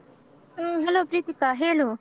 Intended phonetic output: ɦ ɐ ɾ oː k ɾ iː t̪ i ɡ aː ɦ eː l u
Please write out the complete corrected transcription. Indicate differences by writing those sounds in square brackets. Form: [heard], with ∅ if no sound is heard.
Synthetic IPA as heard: ɦ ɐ [l] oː [p] ɾ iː t̪ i [k] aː ɦ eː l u